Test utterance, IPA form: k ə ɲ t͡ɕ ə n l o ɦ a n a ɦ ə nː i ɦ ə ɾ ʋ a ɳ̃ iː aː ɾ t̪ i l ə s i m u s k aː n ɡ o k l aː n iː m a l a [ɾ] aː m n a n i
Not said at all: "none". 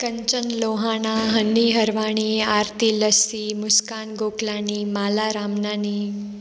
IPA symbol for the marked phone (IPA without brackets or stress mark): ɾ